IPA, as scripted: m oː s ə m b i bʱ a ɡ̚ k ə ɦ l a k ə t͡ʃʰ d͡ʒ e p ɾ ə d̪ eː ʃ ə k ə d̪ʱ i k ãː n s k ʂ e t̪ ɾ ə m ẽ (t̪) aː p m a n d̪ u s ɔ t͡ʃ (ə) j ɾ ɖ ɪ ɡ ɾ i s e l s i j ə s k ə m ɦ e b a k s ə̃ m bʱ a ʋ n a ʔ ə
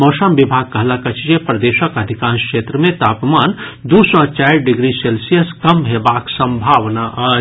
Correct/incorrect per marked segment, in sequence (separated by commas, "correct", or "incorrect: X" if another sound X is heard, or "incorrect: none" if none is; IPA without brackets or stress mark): correct, incorrect: a